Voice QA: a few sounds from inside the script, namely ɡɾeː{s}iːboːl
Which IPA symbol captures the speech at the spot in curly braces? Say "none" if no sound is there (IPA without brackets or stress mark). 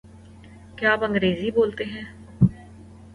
z